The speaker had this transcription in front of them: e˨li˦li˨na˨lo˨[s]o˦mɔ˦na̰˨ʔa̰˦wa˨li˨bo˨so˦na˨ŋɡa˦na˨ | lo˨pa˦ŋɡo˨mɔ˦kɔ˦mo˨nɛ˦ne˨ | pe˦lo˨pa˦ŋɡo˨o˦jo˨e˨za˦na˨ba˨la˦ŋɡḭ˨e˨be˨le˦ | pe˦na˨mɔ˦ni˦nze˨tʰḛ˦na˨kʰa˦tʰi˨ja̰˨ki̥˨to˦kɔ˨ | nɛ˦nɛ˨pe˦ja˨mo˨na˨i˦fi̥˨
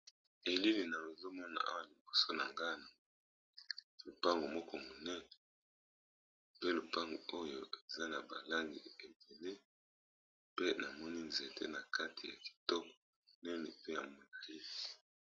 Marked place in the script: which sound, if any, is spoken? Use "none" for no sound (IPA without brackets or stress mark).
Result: z